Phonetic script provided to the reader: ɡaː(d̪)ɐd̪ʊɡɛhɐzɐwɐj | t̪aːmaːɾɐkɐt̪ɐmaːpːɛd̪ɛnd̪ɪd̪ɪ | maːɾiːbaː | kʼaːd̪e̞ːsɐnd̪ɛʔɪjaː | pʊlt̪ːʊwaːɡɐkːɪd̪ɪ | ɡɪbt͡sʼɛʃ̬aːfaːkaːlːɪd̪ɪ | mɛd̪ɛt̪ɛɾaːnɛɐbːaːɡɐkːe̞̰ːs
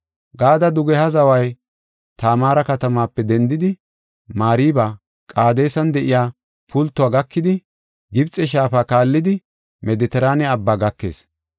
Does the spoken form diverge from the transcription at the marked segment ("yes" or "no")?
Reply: no